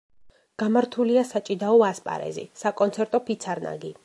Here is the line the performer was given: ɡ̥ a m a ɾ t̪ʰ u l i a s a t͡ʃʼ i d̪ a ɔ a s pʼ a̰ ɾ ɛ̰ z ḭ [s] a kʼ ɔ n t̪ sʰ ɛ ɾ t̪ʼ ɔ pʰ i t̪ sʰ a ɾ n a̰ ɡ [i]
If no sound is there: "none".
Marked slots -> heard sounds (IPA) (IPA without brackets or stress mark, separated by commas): s, i